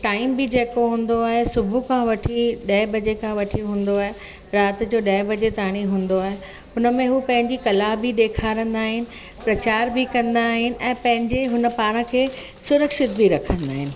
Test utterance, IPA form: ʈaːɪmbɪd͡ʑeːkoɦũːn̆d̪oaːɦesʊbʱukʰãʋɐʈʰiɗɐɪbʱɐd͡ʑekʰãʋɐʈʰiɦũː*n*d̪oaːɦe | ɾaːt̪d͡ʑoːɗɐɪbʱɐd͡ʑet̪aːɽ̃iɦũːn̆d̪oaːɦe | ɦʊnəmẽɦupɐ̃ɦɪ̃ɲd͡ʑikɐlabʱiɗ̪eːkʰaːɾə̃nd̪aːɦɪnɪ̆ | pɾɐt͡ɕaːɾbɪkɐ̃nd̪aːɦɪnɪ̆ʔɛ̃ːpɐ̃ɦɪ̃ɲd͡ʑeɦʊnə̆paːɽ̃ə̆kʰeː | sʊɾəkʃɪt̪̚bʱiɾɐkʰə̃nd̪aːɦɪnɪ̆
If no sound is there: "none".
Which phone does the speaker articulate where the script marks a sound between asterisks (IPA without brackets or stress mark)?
n